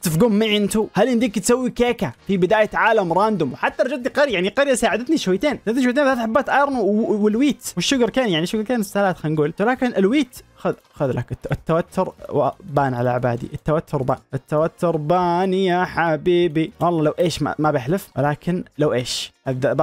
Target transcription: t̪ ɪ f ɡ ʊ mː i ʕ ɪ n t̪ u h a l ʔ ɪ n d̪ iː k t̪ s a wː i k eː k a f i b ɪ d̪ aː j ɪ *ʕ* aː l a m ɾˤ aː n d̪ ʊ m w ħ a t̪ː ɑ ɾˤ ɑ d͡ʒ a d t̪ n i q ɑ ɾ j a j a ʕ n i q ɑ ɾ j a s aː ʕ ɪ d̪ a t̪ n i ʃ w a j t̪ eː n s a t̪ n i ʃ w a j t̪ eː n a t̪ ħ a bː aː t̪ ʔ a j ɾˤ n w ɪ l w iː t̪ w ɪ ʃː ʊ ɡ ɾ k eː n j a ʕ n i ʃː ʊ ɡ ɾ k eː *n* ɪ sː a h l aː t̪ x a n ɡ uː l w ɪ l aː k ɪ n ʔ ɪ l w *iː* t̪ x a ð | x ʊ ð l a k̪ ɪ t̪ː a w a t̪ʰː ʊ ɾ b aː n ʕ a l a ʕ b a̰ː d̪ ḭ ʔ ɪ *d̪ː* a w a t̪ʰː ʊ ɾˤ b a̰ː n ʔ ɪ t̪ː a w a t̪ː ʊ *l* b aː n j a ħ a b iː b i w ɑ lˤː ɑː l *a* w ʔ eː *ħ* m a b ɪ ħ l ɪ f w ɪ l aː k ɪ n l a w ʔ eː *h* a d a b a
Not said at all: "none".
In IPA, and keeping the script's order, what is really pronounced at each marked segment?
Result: ʕ, n, iː, t̪ː, ɾ, a, ʃ, ʃ

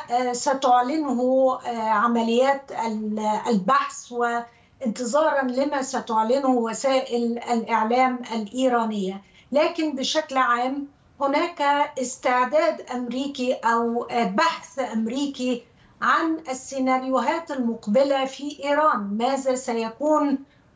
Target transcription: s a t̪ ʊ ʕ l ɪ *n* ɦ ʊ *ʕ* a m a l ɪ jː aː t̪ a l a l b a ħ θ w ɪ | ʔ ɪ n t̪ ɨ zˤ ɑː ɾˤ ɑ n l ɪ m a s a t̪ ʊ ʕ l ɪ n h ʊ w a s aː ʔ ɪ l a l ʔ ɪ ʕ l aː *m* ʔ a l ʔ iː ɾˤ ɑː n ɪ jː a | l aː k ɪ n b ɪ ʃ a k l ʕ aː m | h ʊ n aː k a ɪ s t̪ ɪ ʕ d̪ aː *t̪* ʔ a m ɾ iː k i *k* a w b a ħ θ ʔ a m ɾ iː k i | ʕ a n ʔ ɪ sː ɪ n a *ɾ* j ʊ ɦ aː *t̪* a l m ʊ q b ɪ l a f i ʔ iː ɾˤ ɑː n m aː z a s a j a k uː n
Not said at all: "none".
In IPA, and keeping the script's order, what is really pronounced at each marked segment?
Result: n, ʕ, m, d̪, ʔ, ɾ, t̪

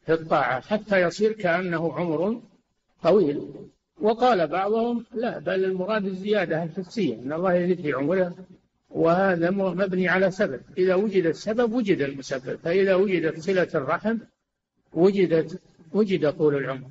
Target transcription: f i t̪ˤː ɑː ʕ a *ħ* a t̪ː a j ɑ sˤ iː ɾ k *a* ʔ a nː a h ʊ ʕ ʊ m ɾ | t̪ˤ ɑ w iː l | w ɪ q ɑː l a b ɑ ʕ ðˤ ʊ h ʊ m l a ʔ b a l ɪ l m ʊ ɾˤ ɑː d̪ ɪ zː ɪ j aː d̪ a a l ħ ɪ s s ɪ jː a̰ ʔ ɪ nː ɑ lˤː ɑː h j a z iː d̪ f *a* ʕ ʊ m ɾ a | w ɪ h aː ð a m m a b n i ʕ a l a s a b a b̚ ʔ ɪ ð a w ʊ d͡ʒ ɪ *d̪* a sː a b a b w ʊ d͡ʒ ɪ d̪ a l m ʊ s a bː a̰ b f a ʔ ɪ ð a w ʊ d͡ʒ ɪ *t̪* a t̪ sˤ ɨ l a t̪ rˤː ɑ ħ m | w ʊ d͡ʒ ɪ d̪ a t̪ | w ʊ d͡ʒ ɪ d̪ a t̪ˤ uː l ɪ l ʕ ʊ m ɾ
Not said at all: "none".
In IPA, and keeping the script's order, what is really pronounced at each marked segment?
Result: ħ, a, i, d̪, d̪

